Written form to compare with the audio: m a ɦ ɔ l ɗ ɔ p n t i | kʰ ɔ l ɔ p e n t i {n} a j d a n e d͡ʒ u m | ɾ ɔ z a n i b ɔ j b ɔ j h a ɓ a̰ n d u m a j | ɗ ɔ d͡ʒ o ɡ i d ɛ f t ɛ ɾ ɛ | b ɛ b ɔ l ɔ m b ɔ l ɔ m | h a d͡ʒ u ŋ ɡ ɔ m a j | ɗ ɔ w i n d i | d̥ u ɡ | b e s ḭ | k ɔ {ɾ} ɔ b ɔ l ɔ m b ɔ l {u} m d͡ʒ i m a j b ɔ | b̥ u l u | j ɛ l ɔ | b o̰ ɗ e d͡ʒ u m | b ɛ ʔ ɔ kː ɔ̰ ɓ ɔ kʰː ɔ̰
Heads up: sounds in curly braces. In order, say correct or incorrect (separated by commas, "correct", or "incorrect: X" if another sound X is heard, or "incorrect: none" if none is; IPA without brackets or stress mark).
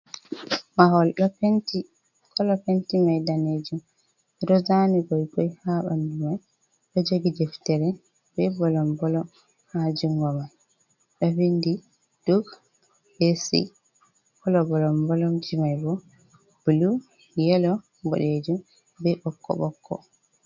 incorrect: m, incorrect: l, incorrect: ɔ